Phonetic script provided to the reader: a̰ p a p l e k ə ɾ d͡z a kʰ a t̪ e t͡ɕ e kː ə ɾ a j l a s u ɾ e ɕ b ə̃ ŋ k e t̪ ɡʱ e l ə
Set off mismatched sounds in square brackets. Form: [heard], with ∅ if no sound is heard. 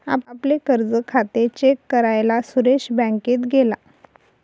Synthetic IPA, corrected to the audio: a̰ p a p l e k ə ɾ d͡z [ə] kʰ a t̪ e t͡ɕ e kː ə ɾ a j l a s u ɾ e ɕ b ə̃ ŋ k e t̪ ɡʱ e l [a]